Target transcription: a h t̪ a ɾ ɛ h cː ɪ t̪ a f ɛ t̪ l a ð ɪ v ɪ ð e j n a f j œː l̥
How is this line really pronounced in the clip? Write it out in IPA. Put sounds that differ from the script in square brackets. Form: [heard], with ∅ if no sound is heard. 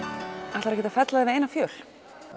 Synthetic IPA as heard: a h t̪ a ɾ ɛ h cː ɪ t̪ a f ɛ t̪ l a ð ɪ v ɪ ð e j n a f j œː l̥